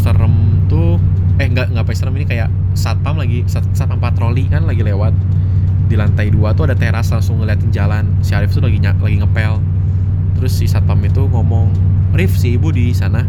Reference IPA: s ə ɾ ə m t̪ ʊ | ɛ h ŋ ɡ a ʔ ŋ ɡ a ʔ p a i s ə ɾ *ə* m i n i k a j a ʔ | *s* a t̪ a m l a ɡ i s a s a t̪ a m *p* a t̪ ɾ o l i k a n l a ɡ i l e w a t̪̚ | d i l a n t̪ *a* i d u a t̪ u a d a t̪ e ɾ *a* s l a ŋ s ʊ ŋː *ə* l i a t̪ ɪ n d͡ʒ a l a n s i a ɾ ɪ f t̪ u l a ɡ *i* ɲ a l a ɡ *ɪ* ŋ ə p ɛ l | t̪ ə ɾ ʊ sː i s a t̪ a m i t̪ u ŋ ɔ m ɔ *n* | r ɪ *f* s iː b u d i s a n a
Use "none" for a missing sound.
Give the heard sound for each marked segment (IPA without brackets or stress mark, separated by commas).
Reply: ə, s, p, a, a, ə, i, i, ŋ, f